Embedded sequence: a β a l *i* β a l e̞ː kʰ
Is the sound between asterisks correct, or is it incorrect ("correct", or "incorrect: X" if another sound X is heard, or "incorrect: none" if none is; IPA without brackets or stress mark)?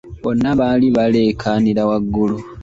correct